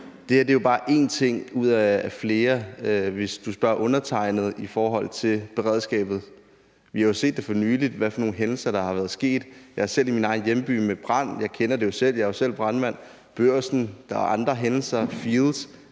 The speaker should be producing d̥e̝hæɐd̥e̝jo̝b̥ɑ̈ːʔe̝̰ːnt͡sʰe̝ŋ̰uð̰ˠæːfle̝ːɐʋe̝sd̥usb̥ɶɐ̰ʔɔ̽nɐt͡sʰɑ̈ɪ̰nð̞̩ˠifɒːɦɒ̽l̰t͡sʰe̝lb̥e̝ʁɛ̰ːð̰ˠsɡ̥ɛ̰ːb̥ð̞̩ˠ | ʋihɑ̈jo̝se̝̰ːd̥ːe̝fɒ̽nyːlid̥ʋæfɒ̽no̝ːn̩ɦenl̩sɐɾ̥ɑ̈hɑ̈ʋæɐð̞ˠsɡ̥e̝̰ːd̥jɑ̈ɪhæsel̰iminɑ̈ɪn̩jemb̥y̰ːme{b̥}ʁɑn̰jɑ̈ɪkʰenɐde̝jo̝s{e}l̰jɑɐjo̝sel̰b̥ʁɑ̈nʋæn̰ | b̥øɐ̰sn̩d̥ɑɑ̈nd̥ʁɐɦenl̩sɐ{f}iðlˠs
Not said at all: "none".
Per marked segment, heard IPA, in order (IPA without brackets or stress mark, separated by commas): b̥, e, f